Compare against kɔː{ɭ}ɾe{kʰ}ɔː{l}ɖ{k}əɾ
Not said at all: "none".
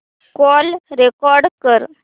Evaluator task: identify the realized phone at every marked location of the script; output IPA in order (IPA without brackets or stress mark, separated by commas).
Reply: l, k, ɾ, k